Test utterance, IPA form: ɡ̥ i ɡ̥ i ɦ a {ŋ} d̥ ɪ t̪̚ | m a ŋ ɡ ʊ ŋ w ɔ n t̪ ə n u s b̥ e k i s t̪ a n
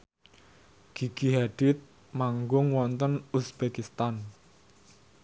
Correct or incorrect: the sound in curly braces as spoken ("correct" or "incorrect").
incorrect